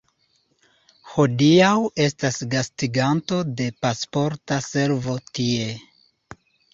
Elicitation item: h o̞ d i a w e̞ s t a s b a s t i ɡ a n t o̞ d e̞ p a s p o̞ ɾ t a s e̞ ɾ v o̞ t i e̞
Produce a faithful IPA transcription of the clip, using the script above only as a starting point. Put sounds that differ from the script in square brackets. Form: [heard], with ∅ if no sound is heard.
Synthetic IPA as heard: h o̞ d i a w e̞ s t a s [ɡ] a s t i ɡ a n t o̞ d e̞ p a s p o̞ ɾ t a s e̞ ɾ v o̞ t i e̞